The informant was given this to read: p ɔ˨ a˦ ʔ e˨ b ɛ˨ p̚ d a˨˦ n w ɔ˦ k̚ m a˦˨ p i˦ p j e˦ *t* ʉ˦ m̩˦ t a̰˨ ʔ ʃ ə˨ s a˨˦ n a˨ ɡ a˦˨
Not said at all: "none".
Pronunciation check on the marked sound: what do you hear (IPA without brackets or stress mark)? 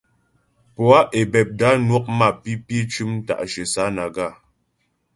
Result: t͡ʃ